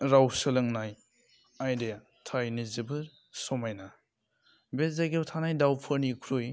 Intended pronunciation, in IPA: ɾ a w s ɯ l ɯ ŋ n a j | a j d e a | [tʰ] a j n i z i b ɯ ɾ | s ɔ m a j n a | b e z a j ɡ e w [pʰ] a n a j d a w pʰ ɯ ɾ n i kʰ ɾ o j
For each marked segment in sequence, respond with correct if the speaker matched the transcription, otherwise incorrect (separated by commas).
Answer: correct, incorrect